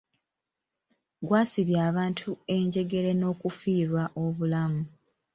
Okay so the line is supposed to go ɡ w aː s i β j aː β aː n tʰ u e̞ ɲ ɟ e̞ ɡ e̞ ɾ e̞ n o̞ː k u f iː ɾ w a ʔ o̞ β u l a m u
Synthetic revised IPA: ɡ w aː s i β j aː β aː n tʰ u e̞ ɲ ɟ e̞ ɡ e̞ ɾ e̞ n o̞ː k u f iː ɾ w a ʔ o̞ β u l a m u